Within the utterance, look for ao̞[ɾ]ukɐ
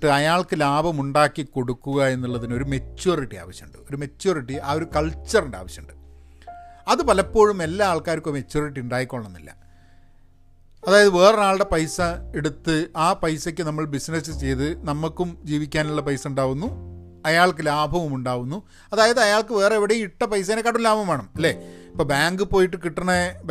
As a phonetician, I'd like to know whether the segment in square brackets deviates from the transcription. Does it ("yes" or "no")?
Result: no